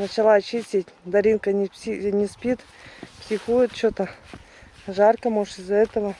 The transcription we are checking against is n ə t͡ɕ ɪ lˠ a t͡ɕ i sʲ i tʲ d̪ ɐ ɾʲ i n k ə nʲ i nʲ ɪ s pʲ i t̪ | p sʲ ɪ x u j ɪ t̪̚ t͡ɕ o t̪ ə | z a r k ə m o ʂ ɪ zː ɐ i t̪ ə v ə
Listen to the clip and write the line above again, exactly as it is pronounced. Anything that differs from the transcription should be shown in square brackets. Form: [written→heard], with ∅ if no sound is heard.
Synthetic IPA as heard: n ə t͡ɕ ɪ lˠ a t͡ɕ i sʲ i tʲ d̪ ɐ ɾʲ i n k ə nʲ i nʲ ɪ s pʲ i t̪ | p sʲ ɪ x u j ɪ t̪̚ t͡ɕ o t̪ ə | [z→ʐ] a r k ə m o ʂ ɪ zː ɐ [i→ɛ] t̪ ə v ə

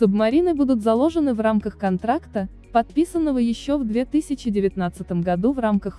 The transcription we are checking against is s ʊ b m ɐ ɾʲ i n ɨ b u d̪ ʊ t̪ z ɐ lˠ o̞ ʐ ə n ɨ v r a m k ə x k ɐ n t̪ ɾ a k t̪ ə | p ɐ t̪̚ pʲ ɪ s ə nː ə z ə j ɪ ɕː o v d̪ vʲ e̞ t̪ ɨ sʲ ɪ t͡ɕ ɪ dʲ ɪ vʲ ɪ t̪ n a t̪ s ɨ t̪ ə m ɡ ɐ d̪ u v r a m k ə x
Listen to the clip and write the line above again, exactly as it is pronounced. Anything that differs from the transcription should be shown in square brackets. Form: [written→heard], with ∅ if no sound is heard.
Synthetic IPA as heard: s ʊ b m ɐ ɾʲ i n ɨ b u d̪ ʊ t̪ z ɐ lˠ o̞ ʐ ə n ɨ v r a m k ə x k ɐ n t̪ ɾ a k t̪ ə | p ɐ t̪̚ pʲ [ɪ→i] s ə nː ə [z→v] ə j ɪ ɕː o v d̪ vʲ e̞ t̪ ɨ sʲ ɪ t͡ɕ ɪ dʲ ɪ vʲ ɪ t̪ n a t̪ s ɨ t̪ ə m ɡ ɐ d̪ u v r a m k ə x

